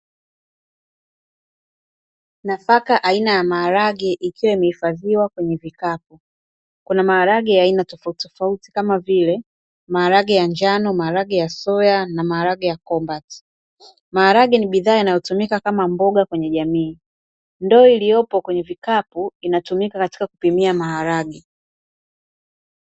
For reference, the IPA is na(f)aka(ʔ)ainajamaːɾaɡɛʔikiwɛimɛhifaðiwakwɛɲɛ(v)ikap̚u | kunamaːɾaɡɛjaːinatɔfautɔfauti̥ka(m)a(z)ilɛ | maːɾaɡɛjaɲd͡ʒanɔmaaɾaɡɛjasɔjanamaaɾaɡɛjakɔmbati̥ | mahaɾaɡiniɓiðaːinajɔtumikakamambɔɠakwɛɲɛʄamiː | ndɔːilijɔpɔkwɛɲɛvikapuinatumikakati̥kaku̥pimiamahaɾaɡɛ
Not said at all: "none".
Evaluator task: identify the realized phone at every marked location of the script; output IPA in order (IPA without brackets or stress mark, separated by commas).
f, ʔ, v, m, v